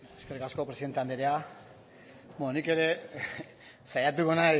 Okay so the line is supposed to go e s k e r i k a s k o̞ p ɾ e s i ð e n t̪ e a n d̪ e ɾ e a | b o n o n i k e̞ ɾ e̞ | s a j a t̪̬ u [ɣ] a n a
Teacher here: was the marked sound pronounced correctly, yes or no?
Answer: yes